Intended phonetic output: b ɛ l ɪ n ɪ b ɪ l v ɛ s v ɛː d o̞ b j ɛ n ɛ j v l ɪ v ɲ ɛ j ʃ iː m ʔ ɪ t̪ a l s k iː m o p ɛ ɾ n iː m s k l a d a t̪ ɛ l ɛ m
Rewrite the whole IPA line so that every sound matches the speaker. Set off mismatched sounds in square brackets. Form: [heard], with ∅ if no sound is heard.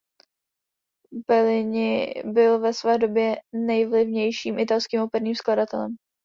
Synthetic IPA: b ɛ l ɪ [ɲ] ɪ b ɪ l v ɛ s v ɛː d o̞ b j ɛ n ɛ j v l ɪ v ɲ ɛ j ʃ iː m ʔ ɪ t̪ a l s k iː m o p ɛ ɾ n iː m s k l a d a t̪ ɛ l ɛ m